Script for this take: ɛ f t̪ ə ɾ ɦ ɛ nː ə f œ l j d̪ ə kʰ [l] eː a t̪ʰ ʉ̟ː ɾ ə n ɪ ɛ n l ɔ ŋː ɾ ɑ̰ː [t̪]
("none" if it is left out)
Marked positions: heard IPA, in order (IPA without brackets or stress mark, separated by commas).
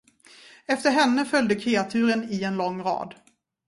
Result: ɾ, d̪